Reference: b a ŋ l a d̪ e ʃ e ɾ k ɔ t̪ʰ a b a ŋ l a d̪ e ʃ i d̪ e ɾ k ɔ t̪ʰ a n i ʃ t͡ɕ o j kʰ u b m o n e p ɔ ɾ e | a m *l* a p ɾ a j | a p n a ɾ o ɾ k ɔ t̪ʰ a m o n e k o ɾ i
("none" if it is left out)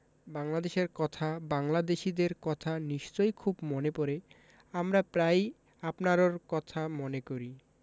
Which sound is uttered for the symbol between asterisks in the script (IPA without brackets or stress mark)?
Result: ɾ